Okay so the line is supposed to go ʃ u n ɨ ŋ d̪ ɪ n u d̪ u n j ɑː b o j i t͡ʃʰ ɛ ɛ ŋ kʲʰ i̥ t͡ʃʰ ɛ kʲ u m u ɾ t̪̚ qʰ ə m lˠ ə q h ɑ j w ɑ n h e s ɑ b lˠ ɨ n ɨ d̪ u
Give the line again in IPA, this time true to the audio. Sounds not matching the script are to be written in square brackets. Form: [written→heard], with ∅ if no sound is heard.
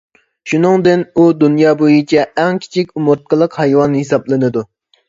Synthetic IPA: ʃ u n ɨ ŋ d̪ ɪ n u d̪ u n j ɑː b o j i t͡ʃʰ ɛ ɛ ŋ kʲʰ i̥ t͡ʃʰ [ɛ→i] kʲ u m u ɾ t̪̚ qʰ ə [m→∅] lˠ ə q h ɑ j w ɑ n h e s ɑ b lˠ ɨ n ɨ d̪ u